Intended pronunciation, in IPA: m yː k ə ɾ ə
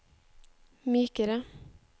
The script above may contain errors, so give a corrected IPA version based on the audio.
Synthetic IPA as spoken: m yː k ə ɾ ə